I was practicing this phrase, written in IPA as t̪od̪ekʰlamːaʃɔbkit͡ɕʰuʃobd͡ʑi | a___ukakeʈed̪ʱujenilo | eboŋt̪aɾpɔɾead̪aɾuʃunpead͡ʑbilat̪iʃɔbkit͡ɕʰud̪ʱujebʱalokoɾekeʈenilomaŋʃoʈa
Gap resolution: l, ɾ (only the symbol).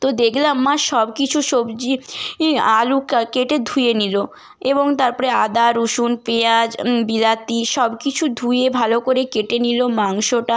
l